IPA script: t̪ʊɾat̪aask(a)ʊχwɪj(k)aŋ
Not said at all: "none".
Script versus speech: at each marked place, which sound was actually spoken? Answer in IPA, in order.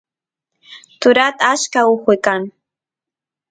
a, k

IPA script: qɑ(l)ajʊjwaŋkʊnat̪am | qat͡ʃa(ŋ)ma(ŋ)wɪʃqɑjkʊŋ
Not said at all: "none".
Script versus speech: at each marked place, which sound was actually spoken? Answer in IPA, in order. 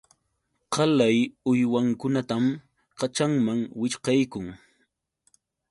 l, ŋ, ŋ

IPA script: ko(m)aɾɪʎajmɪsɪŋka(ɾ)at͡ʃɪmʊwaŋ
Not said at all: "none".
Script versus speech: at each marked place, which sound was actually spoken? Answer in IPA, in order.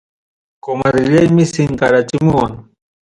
m, ɾ

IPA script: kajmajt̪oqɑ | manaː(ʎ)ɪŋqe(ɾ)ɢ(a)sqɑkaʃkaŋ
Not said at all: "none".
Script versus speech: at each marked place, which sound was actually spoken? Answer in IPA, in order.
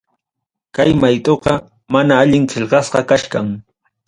ʎ, ʎ, ɑ

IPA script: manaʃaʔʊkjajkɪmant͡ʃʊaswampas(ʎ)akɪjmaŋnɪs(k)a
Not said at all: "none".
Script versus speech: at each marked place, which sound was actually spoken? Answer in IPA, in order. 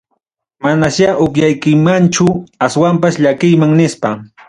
ʎ, p

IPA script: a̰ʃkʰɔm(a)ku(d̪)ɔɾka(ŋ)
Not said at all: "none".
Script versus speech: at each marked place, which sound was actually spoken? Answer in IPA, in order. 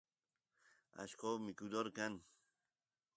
i, d̪, n

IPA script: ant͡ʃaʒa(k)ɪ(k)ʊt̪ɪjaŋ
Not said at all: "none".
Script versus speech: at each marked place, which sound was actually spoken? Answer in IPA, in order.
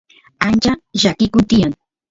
k, k

